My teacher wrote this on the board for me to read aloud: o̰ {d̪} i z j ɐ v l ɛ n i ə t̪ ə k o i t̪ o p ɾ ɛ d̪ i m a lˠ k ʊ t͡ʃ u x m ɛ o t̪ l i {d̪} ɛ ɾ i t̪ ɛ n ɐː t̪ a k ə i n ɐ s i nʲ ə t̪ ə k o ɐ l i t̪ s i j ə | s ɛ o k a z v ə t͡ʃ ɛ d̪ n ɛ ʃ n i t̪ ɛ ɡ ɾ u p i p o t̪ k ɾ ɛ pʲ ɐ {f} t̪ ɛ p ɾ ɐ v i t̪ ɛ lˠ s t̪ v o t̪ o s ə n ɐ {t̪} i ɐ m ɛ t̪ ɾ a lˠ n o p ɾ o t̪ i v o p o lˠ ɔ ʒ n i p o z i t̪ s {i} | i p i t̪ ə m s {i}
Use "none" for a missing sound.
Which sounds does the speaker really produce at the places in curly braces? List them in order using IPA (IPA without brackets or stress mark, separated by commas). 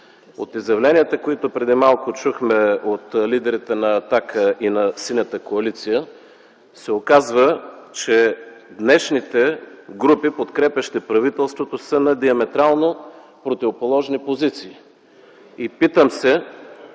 t̪, d̪, ʃ, d̪, iː, ɛ